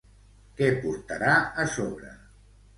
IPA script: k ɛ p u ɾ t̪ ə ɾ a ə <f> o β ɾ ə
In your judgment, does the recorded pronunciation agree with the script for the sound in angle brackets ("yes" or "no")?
no